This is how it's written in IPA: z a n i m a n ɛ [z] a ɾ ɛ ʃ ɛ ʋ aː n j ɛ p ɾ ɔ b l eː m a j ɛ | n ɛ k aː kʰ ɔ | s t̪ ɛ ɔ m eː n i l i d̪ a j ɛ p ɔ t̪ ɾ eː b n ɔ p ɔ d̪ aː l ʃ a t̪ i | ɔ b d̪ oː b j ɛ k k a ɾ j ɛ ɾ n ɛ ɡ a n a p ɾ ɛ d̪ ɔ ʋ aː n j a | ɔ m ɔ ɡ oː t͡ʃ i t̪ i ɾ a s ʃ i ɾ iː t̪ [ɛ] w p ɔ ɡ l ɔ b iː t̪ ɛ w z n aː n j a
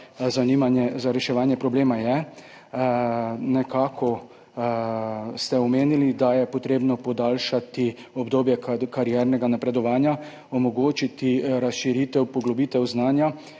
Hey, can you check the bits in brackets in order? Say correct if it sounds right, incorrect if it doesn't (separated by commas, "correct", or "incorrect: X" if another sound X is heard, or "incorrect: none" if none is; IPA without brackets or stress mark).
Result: correct, correct